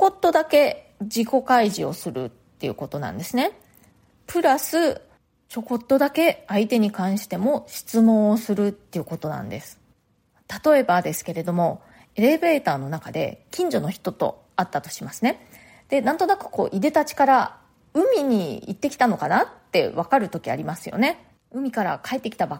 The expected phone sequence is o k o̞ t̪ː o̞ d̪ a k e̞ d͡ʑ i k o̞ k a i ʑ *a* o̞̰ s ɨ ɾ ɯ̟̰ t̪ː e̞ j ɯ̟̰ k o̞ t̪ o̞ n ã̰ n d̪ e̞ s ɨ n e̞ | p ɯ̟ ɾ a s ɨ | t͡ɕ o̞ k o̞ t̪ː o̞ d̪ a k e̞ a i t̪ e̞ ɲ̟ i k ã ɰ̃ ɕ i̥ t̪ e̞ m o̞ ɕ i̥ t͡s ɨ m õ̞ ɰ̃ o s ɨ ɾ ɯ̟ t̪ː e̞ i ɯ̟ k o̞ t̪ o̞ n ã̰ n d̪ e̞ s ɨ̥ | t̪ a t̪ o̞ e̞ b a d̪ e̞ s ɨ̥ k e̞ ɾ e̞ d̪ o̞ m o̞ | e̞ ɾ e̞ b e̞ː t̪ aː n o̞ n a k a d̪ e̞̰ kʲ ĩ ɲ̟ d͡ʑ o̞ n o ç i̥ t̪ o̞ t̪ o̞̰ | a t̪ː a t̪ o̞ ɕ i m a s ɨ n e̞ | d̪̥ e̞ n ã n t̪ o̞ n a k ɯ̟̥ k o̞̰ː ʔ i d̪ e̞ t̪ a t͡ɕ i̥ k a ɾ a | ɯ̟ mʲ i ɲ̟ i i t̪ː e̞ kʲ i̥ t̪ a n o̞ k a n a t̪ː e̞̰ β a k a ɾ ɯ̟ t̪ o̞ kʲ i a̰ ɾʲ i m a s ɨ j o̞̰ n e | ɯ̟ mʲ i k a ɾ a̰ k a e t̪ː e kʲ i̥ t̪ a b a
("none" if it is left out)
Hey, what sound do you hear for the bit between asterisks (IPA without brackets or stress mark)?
i